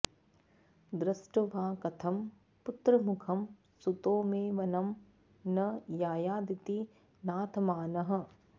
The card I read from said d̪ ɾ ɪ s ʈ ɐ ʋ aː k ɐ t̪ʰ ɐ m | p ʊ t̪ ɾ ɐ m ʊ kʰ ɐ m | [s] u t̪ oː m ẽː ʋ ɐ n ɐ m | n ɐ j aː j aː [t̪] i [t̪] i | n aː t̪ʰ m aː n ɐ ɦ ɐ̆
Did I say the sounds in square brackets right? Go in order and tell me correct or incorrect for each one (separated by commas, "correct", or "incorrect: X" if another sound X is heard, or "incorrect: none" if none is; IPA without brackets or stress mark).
correct, incorrect: d̪, correct